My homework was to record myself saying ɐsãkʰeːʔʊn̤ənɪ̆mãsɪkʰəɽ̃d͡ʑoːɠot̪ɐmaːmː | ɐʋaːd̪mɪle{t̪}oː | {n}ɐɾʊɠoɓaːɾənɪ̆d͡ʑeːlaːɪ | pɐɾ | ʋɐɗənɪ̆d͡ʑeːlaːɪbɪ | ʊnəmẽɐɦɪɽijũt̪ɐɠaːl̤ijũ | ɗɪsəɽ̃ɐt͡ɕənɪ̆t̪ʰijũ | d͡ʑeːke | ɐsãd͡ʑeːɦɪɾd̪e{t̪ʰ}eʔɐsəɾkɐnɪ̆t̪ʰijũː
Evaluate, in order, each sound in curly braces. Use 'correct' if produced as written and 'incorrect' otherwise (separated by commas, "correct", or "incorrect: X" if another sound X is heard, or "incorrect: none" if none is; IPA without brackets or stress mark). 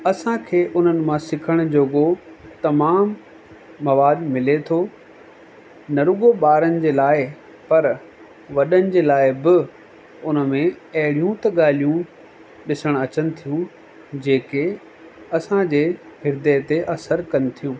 incorrect: t̪ʰ, correct, incorrect: t̪